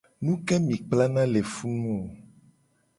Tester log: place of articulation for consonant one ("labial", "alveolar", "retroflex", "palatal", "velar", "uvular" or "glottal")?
alveolar